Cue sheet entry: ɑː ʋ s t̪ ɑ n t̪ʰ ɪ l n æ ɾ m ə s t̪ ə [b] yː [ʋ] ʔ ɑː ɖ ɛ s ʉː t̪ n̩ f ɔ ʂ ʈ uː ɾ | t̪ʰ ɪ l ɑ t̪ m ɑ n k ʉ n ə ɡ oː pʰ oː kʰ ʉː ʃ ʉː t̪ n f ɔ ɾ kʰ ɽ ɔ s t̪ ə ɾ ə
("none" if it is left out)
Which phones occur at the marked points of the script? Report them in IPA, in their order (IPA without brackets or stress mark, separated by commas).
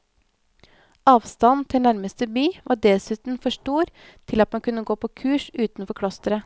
b, ʋ